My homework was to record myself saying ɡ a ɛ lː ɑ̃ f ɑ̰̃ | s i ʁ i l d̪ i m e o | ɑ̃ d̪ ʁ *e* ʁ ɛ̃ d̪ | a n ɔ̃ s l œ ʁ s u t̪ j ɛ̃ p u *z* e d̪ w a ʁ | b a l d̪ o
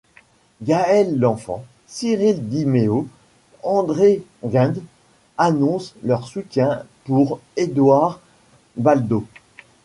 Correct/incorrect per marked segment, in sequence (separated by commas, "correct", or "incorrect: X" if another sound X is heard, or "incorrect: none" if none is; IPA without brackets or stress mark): correct, incorrect: ʁ